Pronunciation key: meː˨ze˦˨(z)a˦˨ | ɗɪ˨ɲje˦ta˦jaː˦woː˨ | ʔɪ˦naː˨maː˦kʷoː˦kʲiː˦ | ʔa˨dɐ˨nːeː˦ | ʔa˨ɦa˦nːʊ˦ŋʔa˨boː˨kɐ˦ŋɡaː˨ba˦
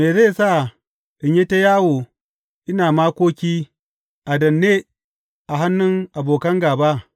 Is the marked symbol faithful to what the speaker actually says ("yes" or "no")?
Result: no